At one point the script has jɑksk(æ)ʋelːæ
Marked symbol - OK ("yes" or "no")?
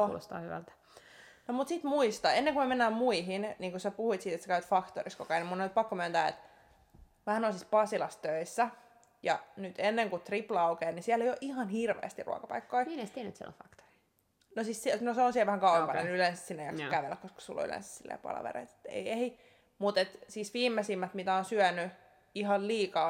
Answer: yes